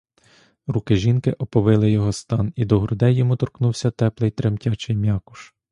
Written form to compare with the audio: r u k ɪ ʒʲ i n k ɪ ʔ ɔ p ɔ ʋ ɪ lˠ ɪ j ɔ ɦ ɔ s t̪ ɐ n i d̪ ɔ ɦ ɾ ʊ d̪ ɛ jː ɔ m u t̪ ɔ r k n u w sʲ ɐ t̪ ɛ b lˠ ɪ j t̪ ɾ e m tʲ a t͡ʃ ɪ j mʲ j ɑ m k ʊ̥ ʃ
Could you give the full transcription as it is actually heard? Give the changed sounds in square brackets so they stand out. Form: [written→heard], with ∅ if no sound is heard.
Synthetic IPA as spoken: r u k ɪ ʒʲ i n k ɪ ʔ ɔ p ɔ ʋ ɪ lˠ ɪ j ɔ ɦ ɔ s t̪ [ɐ→ɑ] n i d̪ ɔ ɦ ɾ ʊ d̪ ɛ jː ɔ m u t̪ ɔ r k n u w sʲ ɐ t̪ ɛ [b→p] lˠ ɪ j t̪ ɾ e m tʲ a t͡ʃ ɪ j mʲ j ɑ [m→∅] k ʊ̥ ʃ